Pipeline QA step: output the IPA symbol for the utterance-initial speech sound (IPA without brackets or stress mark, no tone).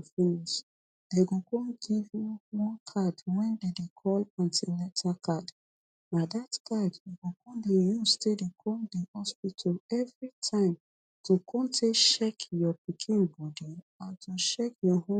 f